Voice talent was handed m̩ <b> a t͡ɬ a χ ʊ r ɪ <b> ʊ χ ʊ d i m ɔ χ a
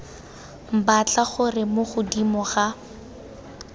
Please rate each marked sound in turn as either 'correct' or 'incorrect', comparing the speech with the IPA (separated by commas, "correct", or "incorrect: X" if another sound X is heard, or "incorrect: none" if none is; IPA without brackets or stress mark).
correct, incorrect: m